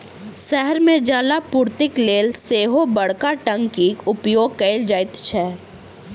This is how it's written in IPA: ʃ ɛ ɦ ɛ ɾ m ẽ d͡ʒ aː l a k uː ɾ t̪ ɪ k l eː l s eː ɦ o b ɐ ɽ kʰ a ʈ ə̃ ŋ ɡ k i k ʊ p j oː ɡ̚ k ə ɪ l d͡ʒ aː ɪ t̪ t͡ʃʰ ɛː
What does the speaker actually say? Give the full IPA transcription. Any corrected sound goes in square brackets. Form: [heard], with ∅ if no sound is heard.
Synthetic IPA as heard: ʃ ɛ ɦ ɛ ɾ m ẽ d͡ʒ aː l a [p] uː ɾ t̪ ɪ k l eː l s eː ɦ o b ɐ ɽ [k] a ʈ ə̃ ŋ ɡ k i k ʊ p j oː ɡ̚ k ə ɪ l d͡ʒ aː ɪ t̪ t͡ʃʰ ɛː